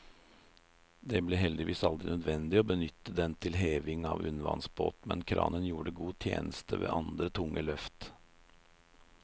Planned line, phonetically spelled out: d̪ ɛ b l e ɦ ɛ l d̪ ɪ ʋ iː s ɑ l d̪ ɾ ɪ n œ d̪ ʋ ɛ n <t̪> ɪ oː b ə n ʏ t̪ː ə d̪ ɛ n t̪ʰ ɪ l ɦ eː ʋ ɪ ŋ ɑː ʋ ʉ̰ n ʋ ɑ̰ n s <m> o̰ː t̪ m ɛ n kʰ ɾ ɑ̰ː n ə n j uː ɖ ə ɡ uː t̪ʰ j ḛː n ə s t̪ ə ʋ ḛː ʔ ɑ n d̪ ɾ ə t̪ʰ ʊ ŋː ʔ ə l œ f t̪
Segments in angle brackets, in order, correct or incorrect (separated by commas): incorrect, incorrect